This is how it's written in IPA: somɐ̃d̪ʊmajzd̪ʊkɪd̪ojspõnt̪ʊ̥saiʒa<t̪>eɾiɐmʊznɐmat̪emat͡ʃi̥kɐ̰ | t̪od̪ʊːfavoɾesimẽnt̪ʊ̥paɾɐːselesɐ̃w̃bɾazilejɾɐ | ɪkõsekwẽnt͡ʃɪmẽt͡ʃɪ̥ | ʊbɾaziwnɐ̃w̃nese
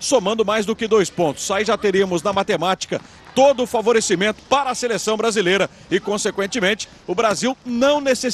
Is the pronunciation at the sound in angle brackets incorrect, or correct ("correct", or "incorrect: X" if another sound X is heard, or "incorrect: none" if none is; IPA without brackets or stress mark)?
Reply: correct